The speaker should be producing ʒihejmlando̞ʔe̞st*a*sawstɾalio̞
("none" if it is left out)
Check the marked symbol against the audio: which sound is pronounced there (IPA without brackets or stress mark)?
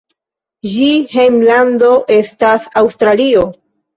a